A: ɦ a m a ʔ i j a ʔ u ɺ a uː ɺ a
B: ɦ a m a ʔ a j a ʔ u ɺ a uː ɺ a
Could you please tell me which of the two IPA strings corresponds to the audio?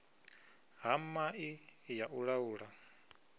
A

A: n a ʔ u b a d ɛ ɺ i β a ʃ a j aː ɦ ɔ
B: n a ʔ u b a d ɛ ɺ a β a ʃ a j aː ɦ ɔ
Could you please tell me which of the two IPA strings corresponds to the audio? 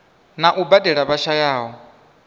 B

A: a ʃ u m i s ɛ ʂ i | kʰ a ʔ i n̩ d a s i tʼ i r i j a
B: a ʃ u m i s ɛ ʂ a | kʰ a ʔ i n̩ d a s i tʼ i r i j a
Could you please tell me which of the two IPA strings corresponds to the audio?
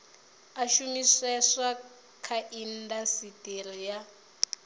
B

